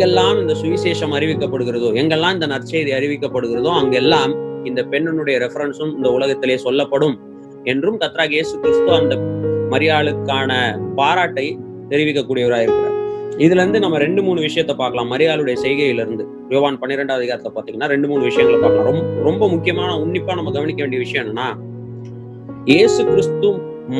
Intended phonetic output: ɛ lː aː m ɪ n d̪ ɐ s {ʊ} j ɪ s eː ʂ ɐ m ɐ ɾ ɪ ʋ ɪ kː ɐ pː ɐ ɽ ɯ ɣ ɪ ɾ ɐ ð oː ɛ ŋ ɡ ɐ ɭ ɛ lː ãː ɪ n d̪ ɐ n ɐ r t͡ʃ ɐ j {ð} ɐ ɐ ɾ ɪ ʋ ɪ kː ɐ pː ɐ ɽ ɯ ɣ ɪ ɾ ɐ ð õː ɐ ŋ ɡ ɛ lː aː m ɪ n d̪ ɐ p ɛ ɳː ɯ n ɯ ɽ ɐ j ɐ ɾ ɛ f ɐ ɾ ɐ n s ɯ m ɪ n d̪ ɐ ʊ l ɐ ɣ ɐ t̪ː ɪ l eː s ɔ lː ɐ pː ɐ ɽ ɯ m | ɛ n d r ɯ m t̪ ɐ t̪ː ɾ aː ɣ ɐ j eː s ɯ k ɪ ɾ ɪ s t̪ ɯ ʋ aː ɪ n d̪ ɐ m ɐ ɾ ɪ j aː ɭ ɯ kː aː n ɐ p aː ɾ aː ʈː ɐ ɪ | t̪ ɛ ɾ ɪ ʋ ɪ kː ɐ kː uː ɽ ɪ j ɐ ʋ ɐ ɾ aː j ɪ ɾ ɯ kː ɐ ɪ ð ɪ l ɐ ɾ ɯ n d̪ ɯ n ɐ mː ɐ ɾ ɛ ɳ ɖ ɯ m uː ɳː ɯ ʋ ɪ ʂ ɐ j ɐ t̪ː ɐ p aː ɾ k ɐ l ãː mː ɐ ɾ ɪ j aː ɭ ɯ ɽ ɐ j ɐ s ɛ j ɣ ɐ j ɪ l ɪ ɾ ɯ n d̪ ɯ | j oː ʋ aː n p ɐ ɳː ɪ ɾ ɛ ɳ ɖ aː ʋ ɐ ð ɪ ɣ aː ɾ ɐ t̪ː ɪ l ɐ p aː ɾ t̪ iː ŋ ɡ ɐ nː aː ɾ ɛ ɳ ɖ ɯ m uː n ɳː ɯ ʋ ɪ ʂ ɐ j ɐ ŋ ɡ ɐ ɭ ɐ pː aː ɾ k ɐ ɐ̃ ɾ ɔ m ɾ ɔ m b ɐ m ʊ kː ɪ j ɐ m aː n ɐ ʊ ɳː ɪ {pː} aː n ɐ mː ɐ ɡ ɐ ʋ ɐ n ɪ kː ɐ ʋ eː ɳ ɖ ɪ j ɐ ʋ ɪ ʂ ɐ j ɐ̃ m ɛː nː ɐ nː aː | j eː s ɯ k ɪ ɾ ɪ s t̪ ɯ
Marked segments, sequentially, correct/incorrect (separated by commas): correct, correct, correct